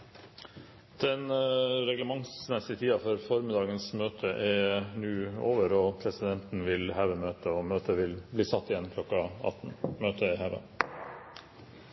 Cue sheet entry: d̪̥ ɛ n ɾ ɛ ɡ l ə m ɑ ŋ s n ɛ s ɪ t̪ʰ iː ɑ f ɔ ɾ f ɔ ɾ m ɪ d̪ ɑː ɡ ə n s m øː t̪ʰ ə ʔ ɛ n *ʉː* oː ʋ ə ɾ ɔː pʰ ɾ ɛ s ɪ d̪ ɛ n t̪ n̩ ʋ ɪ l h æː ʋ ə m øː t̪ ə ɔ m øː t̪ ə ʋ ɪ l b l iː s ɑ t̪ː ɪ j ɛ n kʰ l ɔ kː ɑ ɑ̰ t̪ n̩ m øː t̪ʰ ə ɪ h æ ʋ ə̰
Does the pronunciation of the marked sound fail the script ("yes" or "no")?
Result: no